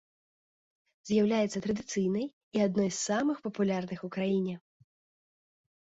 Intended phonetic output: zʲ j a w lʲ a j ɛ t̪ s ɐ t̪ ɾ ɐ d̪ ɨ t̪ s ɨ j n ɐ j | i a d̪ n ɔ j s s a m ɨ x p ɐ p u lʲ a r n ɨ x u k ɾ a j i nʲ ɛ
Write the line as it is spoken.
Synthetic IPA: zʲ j a w lʲ a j ɛ t̪ s ɐ t̪ ɾ ɐ d̪ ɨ t̪ s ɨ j n ɐ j | i a d̪ n ɔ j s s a m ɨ x p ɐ p u lʲ a r n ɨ x u k ɾ a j i nʲ ɛ

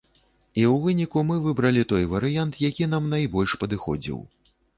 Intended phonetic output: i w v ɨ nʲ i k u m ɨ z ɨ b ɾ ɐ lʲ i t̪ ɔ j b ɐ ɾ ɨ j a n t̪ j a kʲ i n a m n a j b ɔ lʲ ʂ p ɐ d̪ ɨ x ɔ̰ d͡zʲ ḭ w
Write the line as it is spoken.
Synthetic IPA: i w v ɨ nʲ i k u m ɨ v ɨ b ɾ ɐ lʲ i t̪ ɔ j v ɐ ɾ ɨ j a n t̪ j a kʲ i n a m n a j b ɔ lʲ ʂ p ɐ d̪ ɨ x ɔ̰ d͡zʲ ḭ w

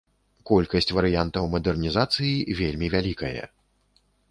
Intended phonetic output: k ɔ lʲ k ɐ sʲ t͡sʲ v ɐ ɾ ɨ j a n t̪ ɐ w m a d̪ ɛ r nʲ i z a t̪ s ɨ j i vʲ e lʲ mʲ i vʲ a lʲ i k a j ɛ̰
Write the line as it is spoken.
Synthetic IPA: k ɔ lʲ k ɐ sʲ t͡sʲ v ɐ ɾ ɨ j a n t̪ ɐ w m ɐ d̪ ɛ r nʲ i z a t̪ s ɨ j i vʲ e lʲ mʲ i vʲ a lʲ i k ɐ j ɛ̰

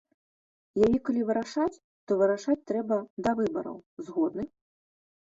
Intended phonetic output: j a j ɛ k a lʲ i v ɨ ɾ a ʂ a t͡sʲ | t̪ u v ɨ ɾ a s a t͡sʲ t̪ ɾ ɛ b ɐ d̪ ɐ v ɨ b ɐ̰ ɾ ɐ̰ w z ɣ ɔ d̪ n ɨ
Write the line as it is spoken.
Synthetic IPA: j a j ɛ k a lʲ i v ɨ ɾ a ʂ a t͡sʲ | t̪ ɔ v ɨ ɾ a ʂ a t͡sʲ t̪ ɾ ɛ b ɐ d̪ ɐ v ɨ b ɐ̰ ɾ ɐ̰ w z ɣ ɔ d̪ n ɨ

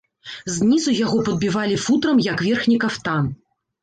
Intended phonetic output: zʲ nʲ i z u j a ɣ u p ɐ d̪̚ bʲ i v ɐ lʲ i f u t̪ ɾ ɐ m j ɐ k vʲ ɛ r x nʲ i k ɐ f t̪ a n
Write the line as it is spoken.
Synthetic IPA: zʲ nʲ i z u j a ɣ ɔ p ɐ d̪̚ bʲ i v a lʲ i f u t̪ ɾ ɐ m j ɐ k vʲ ɛ r x nʲ i k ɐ f t̪ a n

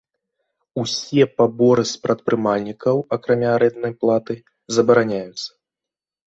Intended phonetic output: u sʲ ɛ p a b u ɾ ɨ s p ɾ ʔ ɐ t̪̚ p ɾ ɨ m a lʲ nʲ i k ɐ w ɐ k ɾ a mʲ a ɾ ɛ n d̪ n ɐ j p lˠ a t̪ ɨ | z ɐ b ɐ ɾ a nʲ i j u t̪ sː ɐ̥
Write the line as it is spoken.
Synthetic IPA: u sʲ ɛ p a b ɔ ɾ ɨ s p ɾ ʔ ɐ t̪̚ p ɾ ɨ m a lʲ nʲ i k ɐ w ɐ k ɾ a mʲ a ɾ ɛ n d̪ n ɐ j p lˠ a t̪ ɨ | z ɐ b ɐ ɾ a nʲ a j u t̪ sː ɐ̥

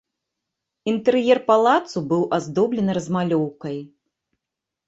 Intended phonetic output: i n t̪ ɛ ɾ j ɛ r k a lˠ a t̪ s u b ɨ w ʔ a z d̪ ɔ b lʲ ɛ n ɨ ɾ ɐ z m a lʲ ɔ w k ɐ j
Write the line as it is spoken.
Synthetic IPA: i n t̪ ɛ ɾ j ɛ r p a lˠ a t̪ s u b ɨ w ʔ a z d̪ ɔ b lʲ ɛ n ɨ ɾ ɐ z m a lʲ ɔ w k ɐ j

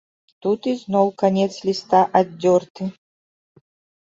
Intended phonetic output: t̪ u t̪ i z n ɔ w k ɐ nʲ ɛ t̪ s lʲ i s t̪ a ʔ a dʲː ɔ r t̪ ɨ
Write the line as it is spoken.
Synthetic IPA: t̪ u t̪ i z n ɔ w k a nʲ ɛ t̪ s lʲ i s t̪ a ʔ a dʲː ɔ r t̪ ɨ

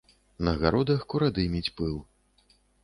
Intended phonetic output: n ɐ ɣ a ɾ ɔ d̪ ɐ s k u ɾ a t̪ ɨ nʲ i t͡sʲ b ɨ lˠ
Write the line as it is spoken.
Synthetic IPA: n ɐ ɣ a ɾ ɔ d̪ ɐ x k u ɾ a d̪ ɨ mʲ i t͡sʲ p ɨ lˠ

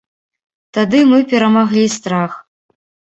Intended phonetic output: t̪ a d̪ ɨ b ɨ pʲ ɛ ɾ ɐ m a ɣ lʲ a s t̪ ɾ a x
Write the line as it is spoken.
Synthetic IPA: t̪ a d̪ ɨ m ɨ pʲ ɛ ɾ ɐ m a ɣ lʲ i s t̪ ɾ a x

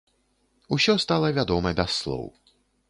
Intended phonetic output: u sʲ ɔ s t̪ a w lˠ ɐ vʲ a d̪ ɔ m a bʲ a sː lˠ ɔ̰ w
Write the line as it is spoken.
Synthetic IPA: u sʲ ɔ s t̪ a lˠ ɐ vʲ a d̪ ɔ m ɐ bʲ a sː lˠ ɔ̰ w

